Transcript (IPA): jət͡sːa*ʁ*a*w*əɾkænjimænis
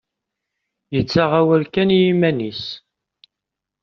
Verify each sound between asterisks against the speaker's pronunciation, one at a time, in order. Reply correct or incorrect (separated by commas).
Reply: correct, correct